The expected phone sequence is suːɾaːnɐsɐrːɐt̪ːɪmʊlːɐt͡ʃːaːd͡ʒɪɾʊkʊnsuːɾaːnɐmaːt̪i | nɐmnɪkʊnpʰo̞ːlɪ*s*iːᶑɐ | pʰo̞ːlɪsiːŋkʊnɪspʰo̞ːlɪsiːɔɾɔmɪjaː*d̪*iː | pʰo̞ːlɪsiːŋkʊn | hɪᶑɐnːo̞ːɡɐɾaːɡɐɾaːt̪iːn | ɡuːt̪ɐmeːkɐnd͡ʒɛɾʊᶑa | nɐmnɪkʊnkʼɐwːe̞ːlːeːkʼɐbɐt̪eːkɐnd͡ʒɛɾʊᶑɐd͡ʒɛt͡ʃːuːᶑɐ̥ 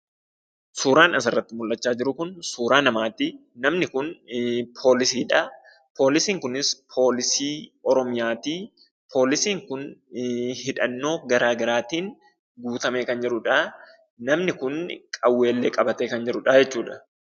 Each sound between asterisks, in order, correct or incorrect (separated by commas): correct, incorrect